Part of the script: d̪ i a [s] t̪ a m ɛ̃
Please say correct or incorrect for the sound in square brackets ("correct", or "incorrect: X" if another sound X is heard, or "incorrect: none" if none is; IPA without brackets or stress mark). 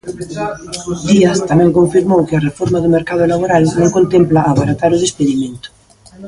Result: correct